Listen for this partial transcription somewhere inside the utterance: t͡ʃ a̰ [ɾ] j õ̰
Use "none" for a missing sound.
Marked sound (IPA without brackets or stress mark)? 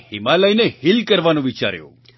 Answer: ɾ